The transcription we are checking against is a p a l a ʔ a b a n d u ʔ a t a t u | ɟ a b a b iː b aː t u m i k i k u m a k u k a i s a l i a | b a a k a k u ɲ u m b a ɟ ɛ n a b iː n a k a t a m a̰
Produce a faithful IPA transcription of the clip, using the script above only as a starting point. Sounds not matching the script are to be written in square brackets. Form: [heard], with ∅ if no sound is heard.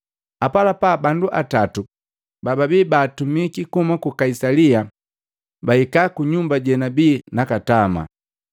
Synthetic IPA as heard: a p a l a [p] a b a n d u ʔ a t a t u | [b] a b a b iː b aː t u m i k i k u m a k u k a i s a l i a | b a [i] k a k u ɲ u m b a ɟ ɛ n a b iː n a k a t a m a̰